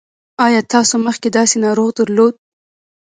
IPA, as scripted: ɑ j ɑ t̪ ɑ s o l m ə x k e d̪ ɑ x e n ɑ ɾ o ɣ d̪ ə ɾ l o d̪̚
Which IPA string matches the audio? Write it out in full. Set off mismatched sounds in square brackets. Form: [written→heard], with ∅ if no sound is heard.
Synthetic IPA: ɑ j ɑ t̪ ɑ s o [l→∅] m ə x k e d̪ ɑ [x→s] e n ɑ ɾ o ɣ d̪ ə ɾ l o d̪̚